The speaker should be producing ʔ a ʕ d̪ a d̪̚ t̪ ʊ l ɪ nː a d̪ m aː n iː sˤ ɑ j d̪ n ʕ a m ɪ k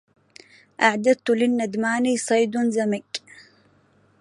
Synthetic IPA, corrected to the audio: ʔ a ʕ d̪ a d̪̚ t̪ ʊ l ɪ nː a d̪ m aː n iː sˤ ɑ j d̪ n z a m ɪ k